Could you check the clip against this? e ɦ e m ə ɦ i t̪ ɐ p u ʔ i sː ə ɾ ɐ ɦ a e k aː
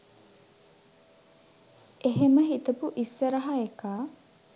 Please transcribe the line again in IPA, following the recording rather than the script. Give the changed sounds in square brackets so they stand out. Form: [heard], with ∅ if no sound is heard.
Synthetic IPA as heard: e ɦ e m ə ɦ i t̪ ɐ p u ʔ i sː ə ɾ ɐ ɦ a e k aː